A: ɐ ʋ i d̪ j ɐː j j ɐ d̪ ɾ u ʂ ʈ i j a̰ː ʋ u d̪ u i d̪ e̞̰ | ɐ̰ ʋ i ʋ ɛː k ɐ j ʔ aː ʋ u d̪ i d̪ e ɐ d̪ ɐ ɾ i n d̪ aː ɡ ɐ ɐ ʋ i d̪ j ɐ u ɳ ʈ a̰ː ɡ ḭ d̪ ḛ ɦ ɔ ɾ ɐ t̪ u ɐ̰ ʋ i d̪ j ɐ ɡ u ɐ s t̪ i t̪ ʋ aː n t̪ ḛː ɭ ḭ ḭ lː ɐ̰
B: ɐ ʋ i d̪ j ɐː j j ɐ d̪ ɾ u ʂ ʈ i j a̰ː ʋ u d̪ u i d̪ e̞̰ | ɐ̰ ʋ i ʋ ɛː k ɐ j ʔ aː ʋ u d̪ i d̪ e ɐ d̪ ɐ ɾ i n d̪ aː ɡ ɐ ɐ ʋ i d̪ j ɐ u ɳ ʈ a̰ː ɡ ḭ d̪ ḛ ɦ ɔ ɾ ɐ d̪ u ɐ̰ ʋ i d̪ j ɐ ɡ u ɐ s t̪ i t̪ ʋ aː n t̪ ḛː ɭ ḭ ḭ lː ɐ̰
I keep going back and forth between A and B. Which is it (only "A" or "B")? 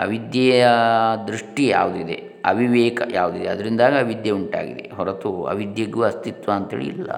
A